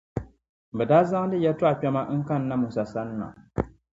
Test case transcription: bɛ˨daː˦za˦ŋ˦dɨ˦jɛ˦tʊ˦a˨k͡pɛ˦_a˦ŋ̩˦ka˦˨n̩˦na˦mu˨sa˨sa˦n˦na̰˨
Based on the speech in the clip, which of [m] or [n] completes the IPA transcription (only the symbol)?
m